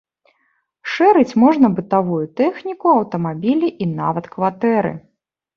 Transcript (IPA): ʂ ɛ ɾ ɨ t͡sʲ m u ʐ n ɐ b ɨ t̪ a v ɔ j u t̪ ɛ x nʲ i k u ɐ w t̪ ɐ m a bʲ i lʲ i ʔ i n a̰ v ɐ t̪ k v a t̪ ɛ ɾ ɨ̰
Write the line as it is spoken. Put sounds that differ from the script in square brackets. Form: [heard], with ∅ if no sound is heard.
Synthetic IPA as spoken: ʂ ɛ ɾ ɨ t͡sʲ m [ɔ] ʐ n ɐ b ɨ t̪ a v [u] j u t̪ ɛ x nʲ i k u ɐ w t̪ ɐ m a bʲ i lʲ i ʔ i n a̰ v ɐ t̪ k v a t̪ ɛ ɾ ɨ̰

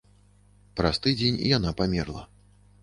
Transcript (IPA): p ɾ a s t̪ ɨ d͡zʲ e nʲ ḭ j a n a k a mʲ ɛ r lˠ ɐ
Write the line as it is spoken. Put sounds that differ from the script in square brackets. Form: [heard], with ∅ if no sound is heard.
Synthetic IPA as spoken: p ɾ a s t̪ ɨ d͡zʲ e nʲ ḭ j a n a [p] a mʲ ɛ r lˠ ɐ

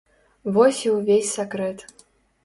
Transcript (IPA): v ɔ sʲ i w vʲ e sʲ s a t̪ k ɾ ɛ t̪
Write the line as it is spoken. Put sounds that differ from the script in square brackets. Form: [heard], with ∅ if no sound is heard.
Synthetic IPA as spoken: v ɔ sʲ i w vʲ e sʲ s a [∅] k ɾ ɛ t̪

